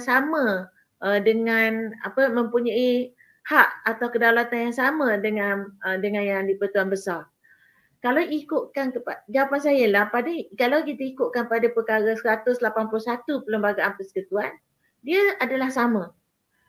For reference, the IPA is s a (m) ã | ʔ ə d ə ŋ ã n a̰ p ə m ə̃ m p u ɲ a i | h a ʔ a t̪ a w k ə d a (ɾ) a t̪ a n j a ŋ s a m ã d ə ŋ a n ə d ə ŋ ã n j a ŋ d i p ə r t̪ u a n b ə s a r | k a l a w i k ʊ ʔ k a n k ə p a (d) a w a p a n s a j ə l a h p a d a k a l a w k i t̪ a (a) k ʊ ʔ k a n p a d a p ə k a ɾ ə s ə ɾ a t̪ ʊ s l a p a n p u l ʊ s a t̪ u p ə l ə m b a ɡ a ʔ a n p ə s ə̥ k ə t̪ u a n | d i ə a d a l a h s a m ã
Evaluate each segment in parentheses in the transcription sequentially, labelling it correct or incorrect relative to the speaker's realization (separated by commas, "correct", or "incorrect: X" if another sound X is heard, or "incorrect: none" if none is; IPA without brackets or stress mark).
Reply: correct, incorrect: l, incorrect: d͡ʒ, incorrect: i